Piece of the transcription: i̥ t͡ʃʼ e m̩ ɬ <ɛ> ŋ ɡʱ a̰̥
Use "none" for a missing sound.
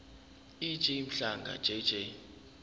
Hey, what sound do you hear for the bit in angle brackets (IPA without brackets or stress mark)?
a